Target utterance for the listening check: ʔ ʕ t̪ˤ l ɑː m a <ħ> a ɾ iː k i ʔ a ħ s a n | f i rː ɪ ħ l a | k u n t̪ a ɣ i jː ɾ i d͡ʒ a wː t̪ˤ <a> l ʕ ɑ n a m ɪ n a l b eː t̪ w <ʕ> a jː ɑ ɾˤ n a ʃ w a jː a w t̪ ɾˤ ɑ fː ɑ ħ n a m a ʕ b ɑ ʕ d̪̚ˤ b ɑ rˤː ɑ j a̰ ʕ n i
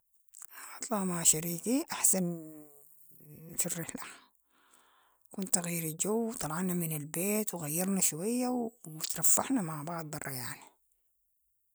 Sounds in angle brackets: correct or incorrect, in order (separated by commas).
incorrect, incorrect, incorrect